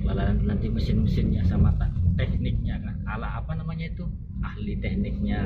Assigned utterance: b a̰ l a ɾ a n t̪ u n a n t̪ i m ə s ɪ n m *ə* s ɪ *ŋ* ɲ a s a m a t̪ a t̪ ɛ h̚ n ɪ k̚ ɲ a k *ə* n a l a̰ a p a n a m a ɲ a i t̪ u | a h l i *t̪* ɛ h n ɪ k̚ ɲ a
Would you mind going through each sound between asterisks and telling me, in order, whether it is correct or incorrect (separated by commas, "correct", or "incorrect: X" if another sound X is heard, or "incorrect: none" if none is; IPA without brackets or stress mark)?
correct, incorrect: n, incorrect: a, correct